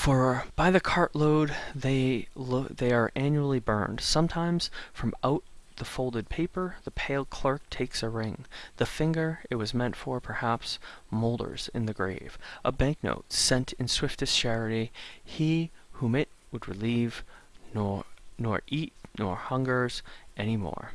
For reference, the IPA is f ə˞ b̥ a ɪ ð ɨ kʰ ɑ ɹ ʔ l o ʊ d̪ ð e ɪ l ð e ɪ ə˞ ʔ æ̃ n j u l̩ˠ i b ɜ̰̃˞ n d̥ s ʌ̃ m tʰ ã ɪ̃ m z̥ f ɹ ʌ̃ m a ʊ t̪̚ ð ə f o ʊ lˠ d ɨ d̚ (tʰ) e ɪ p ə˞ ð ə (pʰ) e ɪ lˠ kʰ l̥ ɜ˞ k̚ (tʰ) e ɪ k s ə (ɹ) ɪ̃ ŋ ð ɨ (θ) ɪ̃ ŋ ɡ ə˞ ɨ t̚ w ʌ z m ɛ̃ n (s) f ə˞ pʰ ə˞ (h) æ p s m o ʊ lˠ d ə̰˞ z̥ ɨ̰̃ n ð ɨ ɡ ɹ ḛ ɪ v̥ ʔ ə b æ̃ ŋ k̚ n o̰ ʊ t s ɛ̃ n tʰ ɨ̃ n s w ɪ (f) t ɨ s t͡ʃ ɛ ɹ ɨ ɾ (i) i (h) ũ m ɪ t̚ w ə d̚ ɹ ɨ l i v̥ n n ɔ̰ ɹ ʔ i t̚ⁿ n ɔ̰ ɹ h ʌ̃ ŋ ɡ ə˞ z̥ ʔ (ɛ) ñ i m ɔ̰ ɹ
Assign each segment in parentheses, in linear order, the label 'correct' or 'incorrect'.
incorrect: pʰ, correct, correct, correct, incorrect: f, incorrect: t, correct, correct, correct, correct, correct

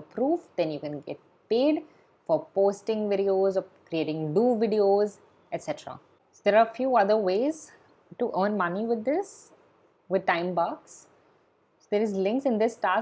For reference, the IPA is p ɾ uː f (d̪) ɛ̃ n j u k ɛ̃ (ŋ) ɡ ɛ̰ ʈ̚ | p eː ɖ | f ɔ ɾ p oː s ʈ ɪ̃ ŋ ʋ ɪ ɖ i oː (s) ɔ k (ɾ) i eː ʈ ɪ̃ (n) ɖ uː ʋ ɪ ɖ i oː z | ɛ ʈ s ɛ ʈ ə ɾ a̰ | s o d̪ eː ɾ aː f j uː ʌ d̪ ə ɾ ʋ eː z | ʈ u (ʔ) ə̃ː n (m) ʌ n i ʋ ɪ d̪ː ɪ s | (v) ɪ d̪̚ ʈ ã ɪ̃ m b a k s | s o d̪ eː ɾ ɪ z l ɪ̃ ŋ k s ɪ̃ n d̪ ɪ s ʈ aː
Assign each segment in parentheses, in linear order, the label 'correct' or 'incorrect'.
correct, incorrect: n, incorrect: z, correct, incorrect: ŋ, correct, correct, incorrect: ʋ

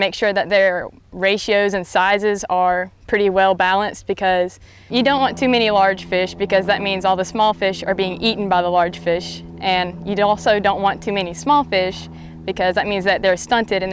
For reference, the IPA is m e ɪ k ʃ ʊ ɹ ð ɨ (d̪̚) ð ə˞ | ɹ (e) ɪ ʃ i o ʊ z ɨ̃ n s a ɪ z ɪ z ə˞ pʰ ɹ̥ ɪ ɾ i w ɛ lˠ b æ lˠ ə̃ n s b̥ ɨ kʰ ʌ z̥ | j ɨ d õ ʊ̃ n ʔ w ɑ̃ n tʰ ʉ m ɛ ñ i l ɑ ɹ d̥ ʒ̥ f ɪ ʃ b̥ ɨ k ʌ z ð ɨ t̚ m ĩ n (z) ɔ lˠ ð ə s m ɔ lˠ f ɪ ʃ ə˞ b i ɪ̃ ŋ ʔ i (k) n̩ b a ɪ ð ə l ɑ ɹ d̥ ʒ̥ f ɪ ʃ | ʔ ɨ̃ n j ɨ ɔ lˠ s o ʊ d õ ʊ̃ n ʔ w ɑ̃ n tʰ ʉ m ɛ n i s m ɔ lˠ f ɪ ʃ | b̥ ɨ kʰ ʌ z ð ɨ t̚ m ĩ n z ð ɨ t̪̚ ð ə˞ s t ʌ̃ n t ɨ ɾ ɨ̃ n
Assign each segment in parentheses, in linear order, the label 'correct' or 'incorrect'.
incorrect: t̪̚, correct, correct, incorrect: ʔ

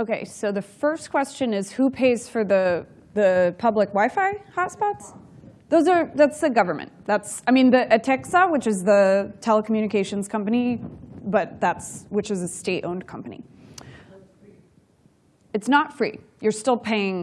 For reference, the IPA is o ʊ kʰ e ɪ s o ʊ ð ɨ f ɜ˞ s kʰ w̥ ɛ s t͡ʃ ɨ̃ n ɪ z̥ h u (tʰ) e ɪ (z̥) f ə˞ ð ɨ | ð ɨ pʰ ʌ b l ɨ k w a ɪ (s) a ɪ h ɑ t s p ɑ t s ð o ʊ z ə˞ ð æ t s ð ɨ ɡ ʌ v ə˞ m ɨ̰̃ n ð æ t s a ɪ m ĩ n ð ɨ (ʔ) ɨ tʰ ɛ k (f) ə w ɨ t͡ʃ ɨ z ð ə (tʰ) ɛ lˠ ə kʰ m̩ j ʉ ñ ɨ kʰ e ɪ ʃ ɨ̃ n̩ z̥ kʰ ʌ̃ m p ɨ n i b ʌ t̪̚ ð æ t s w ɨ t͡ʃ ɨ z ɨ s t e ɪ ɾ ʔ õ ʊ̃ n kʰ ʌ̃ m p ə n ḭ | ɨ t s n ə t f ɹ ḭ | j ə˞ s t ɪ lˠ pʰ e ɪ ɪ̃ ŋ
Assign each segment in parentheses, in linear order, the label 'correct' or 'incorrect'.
incorrect: pʰ, correct, incorrect: f, correct, incorrect: s, correct

